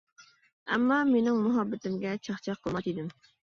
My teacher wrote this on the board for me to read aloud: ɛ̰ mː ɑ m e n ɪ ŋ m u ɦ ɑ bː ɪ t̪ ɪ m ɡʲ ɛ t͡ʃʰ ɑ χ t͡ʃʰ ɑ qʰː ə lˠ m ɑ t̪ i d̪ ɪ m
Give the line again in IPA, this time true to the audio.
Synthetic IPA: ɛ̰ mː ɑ m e n ɪ ŋ m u ɦ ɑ bː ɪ t̪ ɪ m ɡʲ ɛ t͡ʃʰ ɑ χ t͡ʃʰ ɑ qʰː ə lˠ m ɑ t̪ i d̪ ɪ m